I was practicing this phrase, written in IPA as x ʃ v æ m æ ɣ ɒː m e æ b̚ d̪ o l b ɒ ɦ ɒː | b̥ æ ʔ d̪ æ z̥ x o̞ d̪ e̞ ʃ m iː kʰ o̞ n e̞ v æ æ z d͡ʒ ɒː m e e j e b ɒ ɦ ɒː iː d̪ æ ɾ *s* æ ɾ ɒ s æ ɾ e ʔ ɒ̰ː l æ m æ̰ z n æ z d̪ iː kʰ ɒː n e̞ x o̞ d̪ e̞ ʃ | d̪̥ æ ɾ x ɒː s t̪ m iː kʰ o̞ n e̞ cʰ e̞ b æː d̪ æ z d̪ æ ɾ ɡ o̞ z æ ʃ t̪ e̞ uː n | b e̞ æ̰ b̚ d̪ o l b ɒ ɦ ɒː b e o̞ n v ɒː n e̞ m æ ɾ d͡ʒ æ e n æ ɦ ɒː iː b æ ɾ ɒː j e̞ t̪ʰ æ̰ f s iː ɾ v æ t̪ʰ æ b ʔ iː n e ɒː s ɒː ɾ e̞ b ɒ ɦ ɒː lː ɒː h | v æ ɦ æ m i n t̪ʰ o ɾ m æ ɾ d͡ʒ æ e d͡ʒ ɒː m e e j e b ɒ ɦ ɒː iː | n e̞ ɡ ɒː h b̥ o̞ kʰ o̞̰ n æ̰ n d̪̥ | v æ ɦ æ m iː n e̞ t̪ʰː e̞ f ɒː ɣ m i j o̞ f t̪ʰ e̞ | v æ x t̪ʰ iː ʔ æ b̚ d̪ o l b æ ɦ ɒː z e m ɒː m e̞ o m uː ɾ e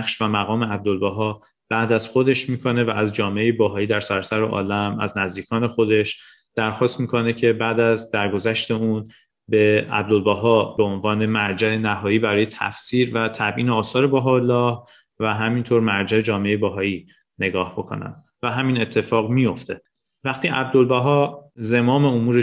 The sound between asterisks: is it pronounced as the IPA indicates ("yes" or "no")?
yes